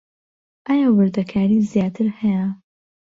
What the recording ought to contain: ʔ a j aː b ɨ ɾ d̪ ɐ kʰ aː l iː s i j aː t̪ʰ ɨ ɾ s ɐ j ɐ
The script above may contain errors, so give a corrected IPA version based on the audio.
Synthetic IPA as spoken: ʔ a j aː w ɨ ɾ d̪ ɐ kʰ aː ɾ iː z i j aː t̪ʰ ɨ ɾ h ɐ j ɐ